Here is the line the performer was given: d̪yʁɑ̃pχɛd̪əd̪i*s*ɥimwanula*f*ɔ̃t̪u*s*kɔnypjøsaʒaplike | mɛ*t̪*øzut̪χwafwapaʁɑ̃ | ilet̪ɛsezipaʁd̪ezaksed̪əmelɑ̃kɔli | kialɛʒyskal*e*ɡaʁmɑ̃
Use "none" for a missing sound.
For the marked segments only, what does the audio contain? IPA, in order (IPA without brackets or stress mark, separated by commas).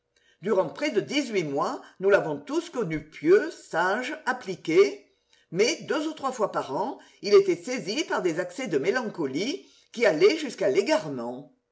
z, v, s, d̪, e